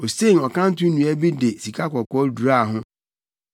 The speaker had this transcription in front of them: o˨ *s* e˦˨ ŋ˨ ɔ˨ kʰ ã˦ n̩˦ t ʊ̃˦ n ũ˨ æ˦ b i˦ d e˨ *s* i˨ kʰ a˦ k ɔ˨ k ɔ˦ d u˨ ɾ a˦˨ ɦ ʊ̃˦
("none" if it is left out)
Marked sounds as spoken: s, s

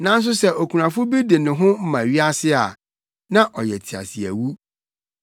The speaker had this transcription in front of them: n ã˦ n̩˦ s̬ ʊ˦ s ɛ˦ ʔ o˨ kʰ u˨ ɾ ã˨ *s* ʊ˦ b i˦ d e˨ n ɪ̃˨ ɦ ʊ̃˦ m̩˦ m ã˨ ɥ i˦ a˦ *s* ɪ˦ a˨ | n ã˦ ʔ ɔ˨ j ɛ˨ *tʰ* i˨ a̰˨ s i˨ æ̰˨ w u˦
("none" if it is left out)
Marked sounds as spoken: f, s, tʰ

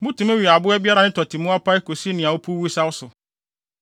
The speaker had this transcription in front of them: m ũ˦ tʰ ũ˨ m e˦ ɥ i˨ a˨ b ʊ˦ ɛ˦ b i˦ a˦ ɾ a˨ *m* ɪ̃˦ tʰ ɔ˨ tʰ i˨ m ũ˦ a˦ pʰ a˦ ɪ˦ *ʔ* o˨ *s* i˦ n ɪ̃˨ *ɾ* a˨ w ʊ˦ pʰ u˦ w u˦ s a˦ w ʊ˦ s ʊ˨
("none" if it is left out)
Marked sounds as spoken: n, k, s, none

